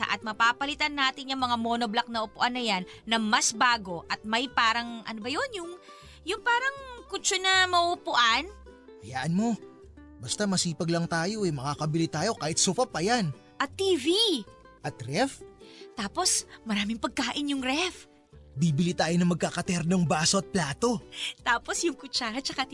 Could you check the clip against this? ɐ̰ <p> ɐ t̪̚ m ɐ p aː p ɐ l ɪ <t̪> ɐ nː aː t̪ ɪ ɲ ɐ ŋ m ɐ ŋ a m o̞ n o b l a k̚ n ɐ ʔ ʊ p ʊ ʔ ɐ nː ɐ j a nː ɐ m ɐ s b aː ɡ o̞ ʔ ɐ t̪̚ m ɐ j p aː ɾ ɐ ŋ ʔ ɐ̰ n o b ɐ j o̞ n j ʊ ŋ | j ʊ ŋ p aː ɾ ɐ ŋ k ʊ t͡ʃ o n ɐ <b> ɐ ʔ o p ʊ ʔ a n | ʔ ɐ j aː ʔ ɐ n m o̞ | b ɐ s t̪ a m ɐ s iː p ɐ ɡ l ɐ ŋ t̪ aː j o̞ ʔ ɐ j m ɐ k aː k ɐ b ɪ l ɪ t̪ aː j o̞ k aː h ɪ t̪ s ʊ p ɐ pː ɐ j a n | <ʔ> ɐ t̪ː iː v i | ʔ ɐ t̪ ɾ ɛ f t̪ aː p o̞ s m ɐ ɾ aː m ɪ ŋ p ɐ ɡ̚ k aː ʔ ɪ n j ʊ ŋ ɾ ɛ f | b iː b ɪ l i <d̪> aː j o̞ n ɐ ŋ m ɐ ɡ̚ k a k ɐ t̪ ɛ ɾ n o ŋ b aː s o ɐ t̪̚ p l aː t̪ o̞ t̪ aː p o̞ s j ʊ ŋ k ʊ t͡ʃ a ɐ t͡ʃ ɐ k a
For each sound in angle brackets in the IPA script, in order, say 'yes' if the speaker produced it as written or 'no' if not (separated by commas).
no, yes, no, yes, no